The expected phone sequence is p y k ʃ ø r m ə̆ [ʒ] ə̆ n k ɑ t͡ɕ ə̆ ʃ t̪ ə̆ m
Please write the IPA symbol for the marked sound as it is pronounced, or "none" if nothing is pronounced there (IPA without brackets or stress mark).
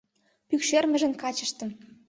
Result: ʒ